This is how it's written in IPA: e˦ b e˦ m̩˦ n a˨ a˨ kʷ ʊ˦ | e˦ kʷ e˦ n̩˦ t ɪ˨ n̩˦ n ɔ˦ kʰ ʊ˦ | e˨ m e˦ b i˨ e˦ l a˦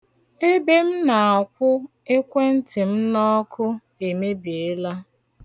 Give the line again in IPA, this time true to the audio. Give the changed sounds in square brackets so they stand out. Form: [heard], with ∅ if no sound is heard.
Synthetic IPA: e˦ b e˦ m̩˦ n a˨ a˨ kʷ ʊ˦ | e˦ kʷ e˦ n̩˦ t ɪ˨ [m̩˦] n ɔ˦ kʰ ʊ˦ | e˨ m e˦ b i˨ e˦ l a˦